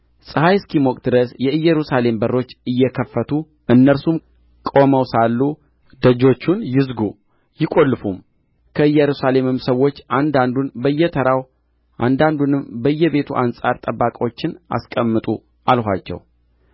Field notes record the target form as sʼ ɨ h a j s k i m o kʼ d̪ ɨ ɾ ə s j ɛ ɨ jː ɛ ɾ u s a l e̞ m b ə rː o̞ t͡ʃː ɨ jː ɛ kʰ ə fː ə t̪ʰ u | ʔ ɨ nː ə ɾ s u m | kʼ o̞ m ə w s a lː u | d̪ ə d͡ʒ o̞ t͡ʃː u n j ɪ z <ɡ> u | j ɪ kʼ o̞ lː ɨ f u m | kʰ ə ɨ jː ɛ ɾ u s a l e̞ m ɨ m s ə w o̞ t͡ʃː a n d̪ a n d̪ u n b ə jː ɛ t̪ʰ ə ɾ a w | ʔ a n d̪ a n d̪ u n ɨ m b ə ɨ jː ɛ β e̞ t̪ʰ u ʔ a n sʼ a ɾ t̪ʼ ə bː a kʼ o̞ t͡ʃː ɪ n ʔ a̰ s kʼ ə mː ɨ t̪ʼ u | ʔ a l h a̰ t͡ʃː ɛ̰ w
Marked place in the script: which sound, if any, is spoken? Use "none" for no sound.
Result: ɡ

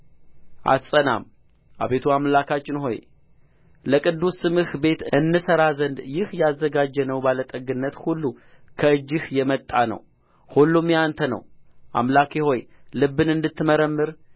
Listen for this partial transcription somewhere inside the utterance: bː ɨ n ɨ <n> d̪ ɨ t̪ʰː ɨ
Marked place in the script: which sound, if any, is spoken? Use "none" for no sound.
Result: n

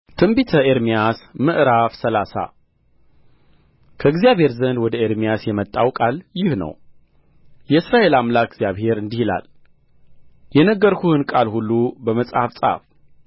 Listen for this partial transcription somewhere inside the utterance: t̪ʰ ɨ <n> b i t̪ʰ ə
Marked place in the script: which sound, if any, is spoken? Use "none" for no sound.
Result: m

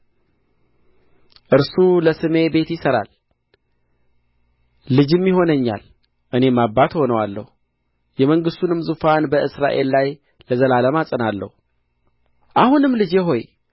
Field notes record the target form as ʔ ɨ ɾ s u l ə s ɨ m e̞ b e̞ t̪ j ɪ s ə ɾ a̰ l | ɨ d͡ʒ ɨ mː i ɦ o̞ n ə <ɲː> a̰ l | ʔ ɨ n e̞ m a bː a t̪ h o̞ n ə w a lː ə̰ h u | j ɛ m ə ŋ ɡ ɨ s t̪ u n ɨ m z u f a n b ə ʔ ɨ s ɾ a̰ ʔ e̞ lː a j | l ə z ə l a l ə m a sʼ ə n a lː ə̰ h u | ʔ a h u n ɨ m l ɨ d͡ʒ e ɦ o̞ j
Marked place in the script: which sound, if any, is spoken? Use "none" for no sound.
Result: ɲː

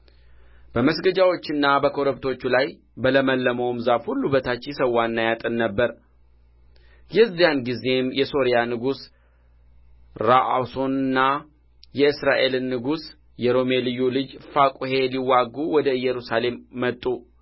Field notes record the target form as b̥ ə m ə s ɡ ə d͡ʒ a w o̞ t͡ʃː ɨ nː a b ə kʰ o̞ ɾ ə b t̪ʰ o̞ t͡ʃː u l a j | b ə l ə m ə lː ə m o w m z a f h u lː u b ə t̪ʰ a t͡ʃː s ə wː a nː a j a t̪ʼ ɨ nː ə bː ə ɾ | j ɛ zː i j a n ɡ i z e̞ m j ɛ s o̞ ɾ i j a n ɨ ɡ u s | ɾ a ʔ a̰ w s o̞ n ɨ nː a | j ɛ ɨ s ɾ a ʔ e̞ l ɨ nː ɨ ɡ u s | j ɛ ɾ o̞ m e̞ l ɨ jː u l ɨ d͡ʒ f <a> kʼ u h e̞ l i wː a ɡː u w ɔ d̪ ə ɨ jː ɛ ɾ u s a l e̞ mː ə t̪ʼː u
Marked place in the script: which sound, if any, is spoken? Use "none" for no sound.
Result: a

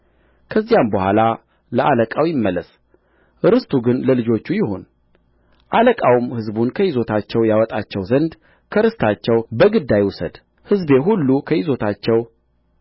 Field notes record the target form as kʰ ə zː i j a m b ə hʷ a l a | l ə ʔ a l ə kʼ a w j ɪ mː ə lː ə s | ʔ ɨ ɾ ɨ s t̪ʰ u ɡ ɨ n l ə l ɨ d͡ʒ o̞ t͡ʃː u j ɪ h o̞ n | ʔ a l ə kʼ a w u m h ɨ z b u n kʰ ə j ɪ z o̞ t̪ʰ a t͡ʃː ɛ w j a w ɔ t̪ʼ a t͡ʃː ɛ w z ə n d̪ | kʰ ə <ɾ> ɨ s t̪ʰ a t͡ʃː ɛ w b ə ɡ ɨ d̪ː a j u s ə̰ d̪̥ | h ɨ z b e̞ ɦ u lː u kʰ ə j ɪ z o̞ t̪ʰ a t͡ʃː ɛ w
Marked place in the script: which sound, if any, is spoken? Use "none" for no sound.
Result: ɾ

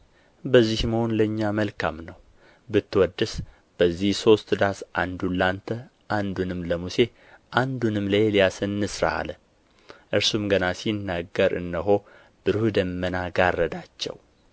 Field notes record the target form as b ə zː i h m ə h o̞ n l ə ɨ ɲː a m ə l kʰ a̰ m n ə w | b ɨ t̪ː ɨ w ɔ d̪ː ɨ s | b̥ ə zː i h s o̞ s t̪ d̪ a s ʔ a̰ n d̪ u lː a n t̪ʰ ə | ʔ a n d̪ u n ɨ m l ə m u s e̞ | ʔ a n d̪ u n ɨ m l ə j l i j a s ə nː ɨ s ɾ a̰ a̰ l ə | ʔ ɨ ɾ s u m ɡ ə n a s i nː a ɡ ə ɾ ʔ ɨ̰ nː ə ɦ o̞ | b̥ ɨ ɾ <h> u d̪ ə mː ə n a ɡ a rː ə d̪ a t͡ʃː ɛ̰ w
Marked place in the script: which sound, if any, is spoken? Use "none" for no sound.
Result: h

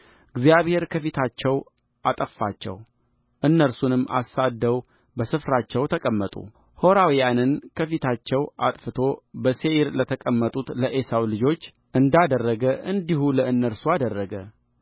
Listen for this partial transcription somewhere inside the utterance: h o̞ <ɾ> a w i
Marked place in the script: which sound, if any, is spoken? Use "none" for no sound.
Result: ɾ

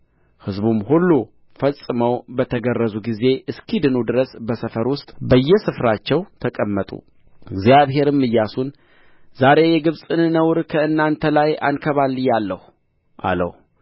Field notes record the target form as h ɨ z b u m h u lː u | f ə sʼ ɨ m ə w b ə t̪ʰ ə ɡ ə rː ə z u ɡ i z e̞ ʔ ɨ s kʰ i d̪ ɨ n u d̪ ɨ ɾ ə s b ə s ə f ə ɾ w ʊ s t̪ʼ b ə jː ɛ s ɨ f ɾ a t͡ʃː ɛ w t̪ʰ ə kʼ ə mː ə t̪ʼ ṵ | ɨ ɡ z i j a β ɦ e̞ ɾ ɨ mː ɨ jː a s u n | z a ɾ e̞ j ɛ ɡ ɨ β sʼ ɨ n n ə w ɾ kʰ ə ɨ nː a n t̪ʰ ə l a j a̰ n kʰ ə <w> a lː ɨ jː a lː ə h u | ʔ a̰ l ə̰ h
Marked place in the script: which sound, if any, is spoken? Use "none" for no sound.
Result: β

